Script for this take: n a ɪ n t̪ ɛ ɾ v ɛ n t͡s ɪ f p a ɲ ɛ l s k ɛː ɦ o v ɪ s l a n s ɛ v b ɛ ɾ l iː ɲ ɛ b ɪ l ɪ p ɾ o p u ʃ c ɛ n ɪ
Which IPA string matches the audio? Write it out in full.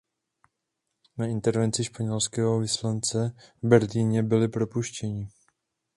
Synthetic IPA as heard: n a ɪ n t̪ ɛ ɾ v ɛ n t͡s ɪ ʃ p a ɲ ɛ l s k ɛː ɦ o v ɪ s l a n t͡s ɛ v b ɛ ɾ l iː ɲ ɛ b ɪ l ɪ p ɾ o p u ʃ c ɛ ɲ ɪ